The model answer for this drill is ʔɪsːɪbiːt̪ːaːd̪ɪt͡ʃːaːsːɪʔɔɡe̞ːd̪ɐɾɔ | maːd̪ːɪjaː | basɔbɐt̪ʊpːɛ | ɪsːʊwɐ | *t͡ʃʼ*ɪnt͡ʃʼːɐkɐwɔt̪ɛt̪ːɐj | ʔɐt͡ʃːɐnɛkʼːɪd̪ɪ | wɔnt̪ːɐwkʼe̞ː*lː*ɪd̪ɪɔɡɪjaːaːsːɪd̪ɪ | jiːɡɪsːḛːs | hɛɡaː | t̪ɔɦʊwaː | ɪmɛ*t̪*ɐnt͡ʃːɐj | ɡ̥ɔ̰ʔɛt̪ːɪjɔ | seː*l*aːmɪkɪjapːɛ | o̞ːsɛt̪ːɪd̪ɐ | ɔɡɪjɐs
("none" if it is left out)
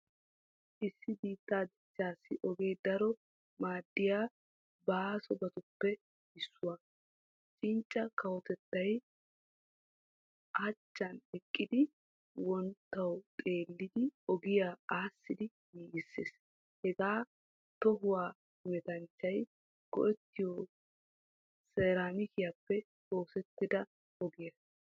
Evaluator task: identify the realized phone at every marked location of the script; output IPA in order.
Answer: t͡ʃʼ, lː, t̪, ɾ

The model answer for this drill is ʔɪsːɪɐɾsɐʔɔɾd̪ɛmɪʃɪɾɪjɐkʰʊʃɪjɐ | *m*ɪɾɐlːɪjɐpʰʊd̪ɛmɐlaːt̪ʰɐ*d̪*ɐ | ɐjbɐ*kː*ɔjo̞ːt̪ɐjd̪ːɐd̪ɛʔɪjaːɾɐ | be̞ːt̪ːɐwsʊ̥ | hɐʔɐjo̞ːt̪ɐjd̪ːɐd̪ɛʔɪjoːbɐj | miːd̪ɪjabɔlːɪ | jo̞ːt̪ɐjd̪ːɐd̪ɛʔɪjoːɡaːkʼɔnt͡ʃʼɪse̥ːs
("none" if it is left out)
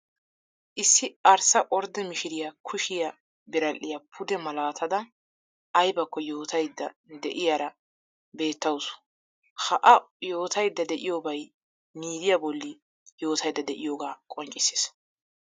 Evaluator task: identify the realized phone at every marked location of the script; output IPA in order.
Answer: b, d̪, kː

